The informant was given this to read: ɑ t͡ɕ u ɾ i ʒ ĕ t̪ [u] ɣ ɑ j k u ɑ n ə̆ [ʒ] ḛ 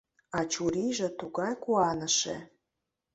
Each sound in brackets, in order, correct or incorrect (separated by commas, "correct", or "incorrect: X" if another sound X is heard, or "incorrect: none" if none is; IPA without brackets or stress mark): correct, incorrect: ʃ